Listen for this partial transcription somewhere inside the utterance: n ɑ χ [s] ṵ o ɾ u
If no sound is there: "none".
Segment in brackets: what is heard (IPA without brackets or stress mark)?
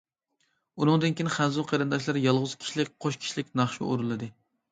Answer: ʃ